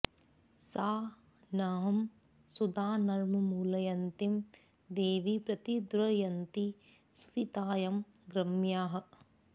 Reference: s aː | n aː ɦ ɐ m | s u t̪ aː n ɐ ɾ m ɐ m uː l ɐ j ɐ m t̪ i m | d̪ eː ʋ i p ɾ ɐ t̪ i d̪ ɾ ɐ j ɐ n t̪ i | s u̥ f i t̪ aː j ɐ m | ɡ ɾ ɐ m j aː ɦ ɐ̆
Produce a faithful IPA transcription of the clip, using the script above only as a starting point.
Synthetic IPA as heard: s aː | n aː ɦ ɐ m | s u d̪ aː n ɐ ɾ m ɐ m uː l ɐ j ɐ n t̪ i m | d̪ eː ʋ i p ɾ ɐ t̪ i d̪ ɾ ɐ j ɐ n t̪ i | s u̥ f i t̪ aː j ɐ m | ɡ ɾ ɐ m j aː ɦ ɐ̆